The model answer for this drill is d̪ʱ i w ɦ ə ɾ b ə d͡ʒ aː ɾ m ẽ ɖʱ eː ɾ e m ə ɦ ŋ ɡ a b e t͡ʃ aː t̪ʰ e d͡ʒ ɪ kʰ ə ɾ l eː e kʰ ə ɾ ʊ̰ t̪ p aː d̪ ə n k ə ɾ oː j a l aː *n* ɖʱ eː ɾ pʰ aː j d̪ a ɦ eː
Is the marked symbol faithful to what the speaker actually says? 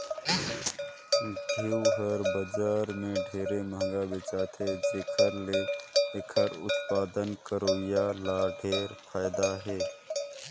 no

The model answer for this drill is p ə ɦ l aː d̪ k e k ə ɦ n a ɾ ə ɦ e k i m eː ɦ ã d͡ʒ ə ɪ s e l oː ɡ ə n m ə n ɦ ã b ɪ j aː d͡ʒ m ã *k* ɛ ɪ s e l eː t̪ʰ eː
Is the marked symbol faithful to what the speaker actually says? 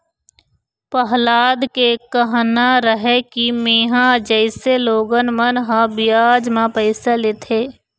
no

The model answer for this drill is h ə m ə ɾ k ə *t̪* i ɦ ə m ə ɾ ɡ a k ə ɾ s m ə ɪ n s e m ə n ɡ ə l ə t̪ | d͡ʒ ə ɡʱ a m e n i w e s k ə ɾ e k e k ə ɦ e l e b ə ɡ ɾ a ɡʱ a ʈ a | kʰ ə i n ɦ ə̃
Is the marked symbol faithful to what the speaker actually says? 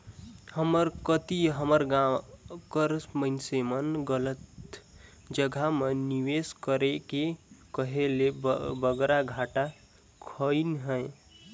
yes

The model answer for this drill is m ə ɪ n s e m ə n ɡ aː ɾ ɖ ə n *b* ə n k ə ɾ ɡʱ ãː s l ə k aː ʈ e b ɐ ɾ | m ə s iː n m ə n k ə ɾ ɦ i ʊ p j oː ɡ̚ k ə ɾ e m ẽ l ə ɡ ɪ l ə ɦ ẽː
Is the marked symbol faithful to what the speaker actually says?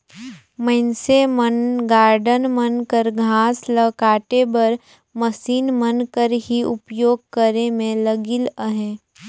no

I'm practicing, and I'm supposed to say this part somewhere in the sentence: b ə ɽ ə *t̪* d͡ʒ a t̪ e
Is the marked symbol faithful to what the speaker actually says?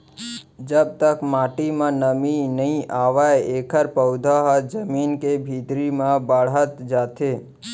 yes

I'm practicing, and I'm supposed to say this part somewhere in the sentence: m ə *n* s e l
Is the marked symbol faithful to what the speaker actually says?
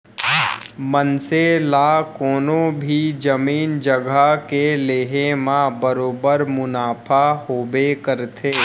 yes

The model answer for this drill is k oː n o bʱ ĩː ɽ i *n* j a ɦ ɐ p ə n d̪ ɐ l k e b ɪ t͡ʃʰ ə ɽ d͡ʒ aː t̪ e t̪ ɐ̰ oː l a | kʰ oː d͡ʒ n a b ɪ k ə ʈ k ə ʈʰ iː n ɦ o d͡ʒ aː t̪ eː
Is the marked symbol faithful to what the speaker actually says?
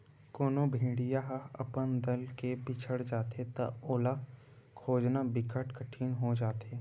no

